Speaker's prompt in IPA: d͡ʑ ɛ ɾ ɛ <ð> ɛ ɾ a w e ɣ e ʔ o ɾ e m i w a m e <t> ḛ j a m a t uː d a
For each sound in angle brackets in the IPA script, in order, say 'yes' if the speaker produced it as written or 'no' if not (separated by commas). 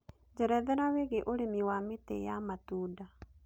yes, yes